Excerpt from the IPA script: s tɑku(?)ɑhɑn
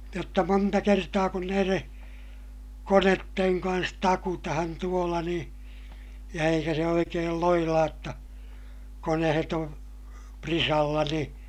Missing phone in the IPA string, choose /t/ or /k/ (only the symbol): t